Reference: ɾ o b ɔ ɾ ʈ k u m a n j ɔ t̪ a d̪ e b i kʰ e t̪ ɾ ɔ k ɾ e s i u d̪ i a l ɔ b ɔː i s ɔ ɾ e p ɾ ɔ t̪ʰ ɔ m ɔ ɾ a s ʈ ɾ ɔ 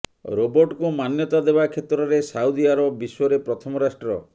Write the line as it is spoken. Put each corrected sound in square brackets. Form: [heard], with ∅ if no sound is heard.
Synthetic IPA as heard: ɾ o b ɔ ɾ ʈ k u m a n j ɔ t̪ a d̪ e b [a] kʰ e t̪ ɾ ɔ [∅] ɾ e s [a] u d̪ i a [ɾ] ɔ b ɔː i s ɔ ɾ e p ɾ ɔ t̪ʰ ɔ m ɔ ɾ a s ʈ ɾ ɔ